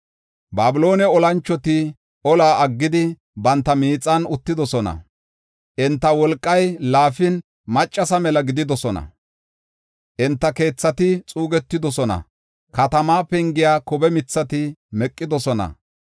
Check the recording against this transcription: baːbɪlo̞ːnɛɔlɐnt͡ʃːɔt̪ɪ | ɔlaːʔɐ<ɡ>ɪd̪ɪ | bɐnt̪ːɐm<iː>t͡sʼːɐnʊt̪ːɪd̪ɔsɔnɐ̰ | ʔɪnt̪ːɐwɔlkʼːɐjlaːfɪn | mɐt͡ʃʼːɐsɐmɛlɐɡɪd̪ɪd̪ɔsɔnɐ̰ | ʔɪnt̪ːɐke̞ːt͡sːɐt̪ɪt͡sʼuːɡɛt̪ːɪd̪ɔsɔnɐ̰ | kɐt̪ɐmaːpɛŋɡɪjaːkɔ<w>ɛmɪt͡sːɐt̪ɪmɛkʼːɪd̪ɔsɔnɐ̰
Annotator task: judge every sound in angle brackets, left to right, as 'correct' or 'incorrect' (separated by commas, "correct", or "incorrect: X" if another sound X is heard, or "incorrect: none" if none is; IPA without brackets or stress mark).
incorrect: ɡː, correct, incorrect: b